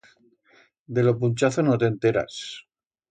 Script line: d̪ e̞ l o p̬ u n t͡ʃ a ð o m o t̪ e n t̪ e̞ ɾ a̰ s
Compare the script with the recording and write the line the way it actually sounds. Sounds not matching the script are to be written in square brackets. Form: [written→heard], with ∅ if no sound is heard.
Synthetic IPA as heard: d̪ e̞ l o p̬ u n t͡ʃ a [ð→θ] o [m→n] o t̪ e n t̪ e̞ ɾ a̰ s